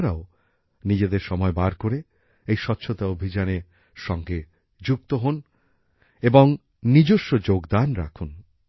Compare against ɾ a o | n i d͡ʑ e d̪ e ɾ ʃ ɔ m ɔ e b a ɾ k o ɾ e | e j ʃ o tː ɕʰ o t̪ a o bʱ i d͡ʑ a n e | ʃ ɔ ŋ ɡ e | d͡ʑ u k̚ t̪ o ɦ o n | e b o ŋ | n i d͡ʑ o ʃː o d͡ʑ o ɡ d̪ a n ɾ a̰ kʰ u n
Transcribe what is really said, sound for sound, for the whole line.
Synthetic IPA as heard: ɾ a o | n i d͡ʑ e d̪ e ɾ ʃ ɔ m ɔ e b a ɾ k o ɾ e | e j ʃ ɔ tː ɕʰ o t̪ a o bʱ i d͡ʑ a n e | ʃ ɔ ŋ ɡ e | d͡ʑ u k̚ t̪ o ɦ o n | e b o ŋ | n i d͡ʑ o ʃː o d͡ʑ o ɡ d̪ a n ɾ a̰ kʰ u n

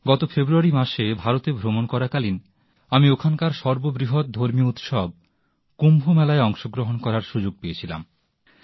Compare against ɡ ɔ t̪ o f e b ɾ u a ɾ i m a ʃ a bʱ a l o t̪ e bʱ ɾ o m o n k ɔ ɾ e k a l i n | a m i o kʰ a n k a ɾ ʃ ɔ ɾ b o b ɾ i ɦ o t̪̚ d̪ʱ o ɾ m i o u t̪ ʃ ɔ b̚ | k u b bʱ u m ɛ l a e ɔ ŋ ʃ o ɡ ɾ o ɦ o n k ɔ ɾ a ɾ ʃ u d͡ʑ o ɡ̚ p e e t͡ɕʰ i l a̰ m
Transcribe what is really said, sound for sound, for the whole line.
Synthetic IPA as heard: ɡ ɔ t̪ o f e b ɾ u a ɾ i m a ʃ e bʱ a ɾ o t̪ e bʱ ɾ o m o n k ɔ ɾ a k a l i n | a m i o kʰ a n k a ɾ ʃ ɔ ɾ b o b ɾ i ɦ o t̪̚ d̪ʱ o ɾ m i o u t̪ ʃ ɔ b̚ | k u m bʱ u m ɛ l a e ɔ ŋ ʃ o ɡ ɾ o ɦ o n k ɔ ɾ a ɾ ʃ u d͡ʑ o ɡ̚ p e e t͡ɕʰ i l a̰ m

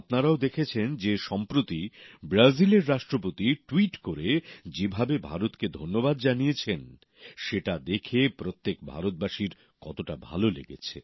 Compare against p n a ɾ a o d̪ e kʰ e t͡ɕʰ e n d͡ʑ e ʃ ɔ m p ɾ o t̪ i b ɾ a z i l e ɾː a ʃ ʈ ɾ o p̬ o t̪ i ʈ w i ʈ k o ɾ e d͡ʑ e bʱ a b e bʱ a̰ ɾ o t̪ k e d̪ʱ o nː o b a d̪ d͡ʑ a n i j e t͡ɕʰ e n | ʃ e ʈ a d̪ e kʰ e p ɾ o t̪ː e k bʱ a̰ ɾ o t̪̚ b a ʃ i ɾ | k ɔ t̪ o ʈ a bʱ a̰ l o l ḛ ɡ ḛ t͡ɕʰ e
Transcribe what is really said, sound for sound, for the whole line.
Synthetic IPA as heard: p n a ɾ a o d̪ e kʰ e t͡ɕʰ e n d͡ʑ e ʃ ɔ m p ɾ o t̪ i b ɾ a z i l e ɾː a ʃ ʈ ɾ o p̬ o t̪ i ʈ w i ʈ k o ɾ e d͡ʑ e bʱ a b e bʱ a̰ ɾ o t̪ k e d̪ʱ o nː o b a d̪ d͡ʑ a n i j e t͡ɕʰ e n | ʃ e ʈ a d̪ e kʰ e p ɾ o t̪ː e k bʱ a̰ ɾ o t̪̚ b a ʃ i ɾ | k ɔ t̪ o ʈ a bʱ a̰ l o l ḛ ɡ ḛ t͡ɕʰ e

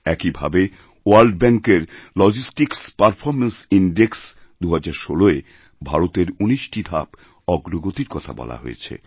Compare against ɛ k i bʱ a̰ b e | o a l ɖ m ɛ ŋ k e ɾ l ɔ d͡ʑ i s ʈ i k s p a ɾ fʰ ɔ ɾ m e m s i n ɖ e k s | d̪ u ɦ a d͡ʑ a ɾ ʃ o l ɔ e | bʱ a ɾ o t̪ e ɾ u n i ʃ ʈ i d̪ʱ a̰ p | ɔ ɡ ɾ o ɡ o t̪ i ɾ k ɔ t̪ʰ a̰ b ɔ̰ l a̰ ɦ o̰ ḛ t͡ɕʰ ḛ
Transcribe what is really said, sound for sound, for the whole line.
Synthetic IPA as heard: ɛ k i bʱ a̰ b e | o a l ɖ b ɛ ŋ k e ɾ l ɔ d͡ʑ i s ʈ i k s p a ɾ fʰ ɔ ɾ m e n s i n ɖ e k s | d̪ u ɦ a d͡ʑ a ɾ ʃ o l o e | bʱ a ɾ o t̪ e ɾ u n i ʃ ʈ i d̪ʱ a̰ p | ɔ ɡ ɾ o ɡ o t̪ i ɾ k ɔ t̪ʰ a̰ b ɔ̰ l a̰ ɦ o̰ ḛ t͡ɕʰ ḛ

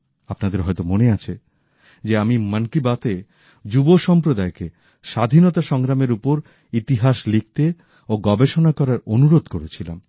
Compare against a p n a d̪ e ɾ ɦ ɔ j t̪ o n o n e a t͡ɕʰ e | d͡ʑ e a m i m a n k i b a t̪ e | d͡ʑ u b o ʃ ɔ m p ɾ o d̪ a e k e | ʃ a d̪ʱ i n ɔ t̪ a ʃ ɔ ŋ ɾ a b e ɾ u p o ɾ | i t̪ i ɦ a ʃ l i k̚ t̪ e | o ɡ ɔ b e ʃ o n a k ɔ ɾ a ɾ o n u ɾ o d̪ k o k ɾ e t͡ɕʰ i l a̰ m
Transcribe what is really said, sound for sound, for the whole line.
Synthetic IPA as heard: a p n a d̪ e ɾ ɦ ɔ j t̪ o m o n e a t͡ɕʰ e | d͡ʑ e a m i m a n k i b a t̪ e | d͡ʑ u b o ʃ ɔ m p ɾ o d̪ a e k e | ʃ a d̪ʱ i n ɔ t̪ a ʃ ɔ ŋ ɾ a m e ɾ u p o ɾ | i t̪ i ɦ a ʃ l i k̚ t̪ e | o ɡ ɔ b e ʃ o n a k ɔ ɾ a ɾ o n u ɾ o d̪ k o ɾ e t͡ɕʰ i l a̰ m

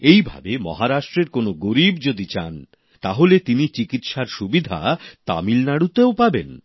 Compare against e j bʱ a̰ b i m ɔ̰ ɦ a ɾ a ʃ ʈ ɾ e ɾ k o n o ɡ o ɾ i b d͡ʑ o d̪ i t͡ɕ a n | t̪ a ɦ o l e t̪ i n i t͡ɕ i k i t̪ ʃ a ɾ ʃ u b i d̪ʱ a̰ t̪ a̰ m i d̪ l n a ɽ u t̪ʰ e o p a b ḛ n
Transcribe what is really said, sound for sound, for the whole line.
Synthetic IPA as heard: e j bʱ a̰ b e m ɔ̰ ɦ a ɾ a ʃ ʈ ɾ e ɾ k o n o ɡ o ɾ i b d͡ʑ o d̪ i t͡ɕ a n | t̪ a ɦ o l e t̪ i n i t͡ɕ i k i t̪ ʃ a ɾ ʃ u b i d̪ʱ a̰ t̪ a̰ m i l n a ɽ u t̪ e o p a b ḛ n

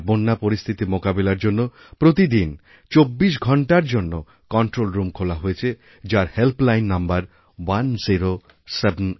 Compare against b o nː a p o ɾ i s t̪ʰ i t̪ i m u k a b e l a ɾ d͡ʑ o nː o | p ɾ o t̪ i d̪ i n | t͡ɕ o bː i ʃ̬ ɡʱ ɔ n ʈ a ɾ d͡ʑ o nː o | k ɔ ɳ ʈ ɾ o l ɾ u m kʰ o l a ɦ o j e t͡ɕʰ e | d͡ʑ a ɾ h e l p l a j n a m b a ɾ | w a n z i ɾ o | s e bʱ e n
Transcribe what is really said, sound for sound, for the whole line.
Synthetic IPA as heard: b o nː a p o ɾ i s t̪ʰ i t̪ i m o k a b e l a ɾ d͡ʑ o nː o | p ɾ o t̪ i d̪ i n | t͡ɕ o bː i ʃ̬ ɡʱ ɔ ɳ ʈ a ɾ d͡ʑ o nː o | k ɔ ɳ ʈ ɾ o l ɾ u m kʰ o l a ɦ o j e t͡ɕʰ e | d͡ʑ a ɾ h e l p l a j nː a m b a ɾ | w a n z i ɾ o | s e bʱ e n

